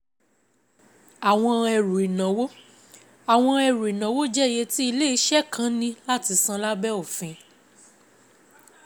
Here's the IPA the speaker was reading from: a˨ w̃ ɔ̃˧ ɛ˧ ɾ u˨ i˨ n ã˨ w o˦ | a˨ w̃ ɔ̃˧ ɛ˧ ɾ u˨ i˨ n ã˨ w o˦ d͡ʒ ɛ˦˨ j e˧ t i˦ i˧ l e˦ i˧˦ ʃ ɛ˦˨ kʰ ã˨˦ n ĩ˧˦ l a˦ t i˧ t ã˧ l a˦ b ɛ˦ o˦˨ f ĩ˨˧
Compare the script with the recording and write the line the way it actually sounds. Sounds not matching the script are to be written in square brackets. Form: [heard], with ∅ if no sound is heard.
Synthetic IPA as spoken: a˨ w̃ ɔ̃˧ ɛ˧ ɾ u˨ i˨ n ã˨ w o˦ | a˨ w̃ ɔ̃˧ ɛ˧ ɾ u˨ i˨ n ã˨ w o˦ d͡ʒ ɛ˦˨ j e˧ t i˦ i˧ l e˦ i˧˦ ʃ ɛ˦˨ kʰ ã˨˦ n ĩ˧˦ l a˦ t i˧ [s] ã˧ l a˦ b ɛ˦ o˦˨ f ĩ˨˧